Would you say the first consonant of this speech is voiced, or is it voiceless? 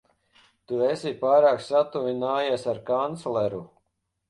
voiceless